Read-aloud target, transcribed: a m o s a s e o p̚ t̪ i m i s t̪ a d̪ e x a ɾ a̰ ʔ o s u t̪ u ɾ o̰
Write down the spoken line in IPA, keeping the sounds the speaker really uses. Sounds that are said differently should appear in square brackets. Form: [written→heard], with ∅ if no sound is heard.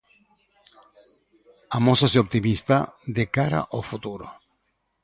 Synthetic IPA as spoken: a m o s a s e o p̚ t̪ i m i s t̪ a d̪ e [x→k] a ɾ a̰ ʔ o [s→f] u t̪ u ɾ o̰